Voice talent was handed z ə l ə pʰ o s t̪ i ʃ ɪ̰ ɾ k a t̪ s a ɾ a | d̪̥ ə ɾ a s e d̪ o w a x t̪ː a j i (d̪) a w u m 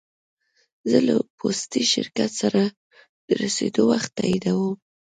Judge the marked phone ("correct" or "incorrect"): correct